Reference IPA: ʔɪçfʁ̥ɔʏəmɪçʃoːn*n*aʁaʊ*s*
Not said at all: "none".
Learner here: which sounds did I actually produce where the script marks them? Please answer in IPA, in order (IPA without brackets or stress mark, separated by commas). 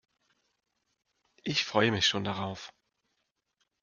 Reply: d, f